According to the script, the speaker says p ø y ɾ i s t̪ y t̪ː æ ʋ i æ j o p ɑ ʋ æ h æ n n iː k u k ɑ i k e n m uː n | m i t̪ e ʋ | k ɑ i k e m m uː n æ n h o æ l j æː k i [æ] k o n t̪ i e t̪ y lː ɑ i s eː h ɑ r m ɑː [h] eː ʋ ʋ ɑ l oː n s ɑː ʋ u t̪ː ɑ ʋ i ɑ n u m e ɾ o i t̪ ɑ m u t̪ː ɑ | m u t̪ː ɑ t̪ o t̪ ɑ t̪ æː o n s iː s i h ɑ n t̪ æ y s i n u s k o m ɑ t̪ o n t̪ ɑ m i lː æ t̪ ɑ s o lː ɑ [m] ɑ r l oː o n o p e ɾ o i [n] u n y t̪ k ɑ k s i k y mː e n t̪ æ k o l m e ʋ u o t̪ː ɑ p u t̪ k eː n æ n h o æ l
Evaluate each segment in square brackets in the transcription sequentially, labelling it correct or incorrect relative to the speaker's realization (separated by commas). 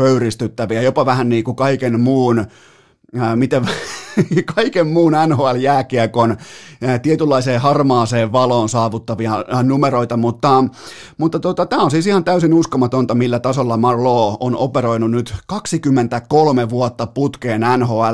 correct, incorrect, correct, correct